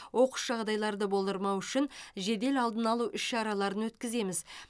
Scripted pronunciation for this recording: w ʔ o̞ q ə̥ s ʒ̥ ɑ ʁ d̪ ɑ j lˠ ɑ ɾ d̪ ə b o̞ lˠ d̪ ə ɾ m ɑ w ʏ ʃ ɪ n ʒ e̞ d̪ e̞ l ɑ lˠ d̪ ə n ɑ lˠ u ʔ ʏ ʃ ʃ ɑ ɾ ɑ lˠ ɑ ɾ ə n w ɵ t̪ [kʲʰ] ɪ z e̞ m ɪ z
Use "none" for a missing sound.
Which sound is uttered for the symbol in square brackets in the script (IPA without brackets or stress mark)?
kʲ